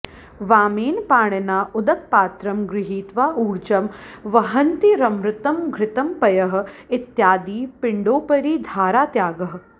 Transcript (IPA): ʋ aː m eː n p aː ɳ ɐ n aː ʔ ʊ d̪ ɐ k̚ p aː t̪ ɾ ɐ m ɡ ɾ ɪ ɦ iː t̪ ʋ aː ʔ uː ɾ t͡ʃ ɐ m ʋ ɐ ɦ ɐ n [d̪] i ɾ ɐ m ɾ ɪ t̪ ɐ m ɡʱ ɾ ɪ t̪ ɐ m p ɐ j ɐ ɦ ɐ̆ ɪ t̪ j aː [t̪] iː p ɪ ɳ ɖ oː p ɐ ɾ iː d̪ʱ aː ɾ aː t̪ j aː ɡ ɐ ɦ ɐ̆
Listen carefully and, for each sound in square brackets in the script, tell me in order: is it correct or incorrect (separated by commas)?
incorrect, incorrect